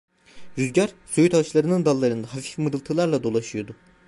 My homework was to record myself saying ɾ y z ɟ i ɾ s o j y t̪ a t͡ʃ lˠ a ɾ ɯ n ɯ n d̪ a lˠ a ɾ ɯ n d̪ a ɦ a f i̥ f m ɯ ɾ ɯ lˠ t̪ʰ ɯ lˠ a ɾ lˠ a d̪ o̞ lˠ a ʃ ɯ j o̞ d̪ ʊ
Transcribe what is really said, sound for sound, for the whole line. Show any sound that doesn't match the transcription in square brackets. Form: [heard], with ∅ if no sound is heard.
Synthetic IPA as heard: ɾ y z ɟ [a] ɾ s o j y t̪ a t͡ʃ lˠ a ɾ ɯ n ɯ n d̪ a [lˠː] a ɾ ɯ n d̪ a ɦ a f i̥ f m ɯ ɾ ɯ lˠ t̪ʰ ɯ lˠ a ɾ lˠ a d̪ o̞ lˠ a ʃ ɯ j o̞ d̪ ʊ